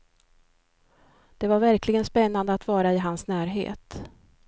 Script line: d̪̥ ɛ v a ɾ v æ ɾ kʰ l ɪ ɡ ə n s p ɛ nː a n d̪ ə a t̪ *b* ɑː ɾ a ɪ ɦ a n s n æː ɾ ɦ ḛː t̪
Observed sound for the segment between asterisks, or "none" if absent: v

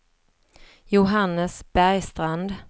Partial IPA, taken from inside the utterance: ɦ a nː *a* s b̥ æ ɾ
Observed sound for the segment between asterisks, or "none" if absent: ə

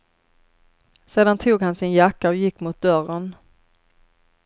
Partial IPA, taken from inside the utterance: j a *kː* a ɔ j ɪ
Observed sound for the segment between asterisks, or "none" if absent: kː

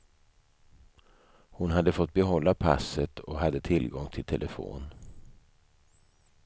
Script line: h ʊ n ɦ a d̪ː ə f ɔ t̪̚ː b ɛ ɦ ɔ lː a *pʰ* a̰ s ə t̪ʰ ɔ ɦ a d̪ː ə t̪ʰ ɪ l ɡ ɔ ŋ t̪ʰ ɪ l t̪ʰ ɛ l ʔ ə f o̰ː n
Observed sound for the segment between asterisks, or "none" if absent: pʰ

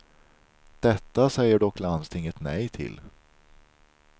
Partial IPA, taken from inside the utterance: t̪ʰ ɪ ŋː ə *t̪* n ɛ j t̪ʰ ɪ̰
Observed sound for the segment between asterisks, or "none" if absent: t̪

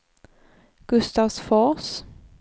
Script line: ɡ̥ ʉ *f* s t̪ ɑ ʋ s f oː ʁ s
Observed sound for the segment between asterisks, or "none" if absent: none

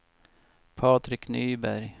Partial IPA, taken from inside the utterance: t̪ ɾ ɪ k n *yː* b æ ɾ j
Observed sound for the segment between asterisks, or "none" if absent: yː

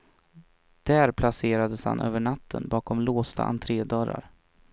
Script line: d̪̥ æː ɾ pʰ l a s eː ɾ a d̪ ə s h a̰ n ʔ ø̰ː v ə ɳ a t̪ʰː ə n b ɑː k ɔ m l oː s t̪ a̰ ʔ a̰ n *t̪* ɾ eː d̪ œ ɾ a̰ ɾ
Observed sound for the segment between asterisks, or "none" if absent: t̪ʰ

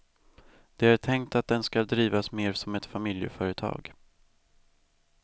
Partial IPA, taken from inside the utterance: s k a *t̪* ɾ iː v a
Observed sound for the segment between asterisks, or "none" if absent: d̪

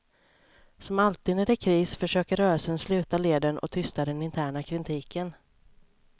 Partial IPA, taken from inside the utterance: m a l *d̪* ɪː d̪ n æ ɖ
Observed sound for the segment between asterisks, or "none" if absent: t̪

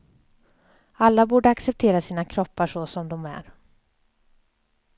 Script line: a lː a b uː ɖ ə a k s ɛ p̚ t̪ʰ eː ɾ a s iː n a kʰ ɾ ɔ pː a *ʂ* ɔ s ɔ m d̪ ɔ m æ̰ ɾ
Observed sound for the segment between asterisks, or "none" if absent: ʂ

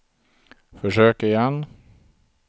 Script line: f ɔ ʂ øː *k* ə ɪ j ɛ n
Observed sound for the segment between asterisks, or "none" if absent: k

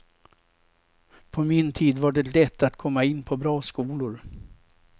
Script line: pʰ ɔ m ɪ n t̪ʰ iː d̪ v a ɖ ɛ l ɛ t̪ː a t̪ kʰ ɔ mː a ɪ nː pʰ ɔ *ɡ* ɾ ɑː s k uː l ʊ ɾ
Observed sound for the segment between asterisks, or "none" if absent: b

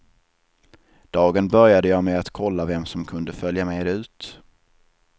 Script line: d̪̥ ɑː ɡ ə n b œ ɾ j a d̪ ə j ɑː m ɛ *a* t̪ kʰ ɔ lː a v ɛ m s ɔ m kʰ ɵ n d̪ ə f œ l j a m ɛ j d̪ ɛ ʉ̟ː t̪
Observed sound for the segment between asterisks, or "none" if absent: a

